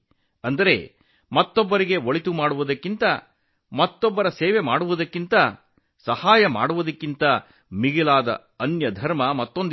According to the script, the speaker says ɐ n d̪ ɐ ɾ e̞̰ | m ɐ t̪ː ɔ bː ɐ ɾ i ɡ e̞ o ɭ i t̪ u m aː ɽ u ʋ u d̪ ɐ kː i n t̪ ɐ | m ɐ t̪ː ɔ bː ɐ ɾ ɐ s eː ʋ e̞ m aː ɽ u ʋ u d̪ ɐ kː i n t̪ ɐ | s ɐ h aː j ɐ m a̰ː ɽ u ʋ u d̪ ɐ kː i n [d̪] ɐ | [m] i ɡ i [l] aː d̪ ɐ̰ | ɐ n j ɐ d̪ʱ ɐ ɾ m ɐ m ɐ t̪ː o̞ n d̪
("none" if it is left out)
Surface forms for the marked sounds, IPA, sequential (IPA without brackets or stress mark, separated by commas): t̪, m, l